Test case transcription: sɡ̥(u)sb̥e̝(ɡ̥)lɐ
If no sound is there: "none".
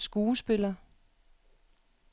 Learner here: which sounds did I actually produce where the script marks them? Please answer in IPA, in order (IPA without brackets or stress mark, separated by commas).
uː, none